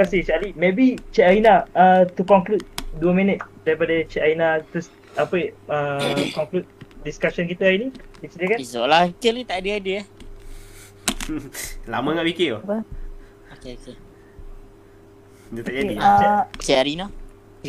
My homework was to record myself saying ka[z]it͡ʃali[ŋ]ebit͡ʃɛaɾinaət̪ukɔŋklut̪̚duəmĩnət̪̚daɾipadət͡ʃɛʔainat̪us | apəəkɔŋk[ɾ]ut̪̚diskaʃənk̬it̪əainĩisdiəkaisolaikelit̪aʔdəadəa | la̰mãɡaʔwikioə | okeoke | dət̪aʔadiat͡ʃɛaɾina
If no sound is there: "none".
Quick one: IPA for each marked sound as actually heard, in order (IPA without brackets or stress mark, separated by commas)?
s, m, l